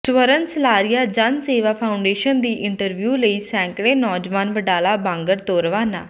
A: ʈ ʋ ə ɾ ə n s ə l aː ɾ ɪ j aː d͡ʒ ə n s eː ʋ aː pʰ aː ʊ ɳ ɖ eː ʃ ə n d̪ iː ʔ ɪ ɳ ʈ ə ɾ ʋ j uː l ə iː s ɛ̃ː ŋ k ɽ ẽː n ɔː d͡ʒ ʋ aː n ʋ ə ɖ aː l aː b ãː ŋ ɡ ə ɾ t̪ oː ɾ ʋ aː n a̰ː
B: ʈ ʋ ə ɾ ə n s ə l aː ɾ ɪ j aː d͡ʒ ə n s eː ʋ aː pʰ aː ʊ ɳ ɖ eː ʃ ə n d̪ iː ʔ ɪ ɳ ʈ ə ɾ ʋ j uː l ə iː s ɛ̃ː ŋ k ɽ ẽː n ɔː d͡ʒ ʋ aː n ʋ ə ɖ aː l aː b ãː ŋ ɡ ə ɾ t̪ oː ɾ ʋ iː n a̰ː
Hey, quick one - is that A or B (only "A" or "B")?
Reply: A